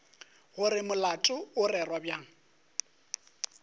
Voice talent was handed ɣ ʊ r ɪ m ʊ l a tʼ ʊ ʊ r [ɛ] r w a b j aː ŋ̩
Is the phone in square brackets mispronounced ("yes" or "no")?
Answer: no